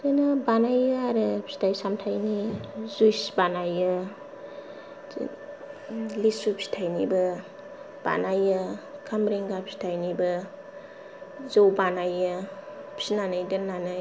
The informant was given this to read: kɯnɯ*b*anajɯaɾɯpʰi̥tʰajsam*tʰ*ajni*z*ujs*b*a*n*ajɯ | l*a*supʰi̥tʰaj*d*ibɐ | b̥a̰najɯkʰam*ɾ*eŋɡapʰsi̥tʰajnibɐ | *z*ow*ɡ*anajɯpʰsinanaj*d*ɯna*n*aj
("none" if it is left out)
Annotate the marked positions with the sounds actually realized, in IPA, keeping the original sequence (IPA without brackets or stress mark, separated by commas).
b, tʰ, z, b, n, i, n, ɾ, z, b, d, n